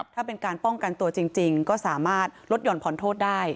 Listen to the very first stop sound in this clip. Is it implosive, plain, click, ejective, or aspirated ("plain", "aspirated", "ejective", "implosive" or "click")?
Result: aspirated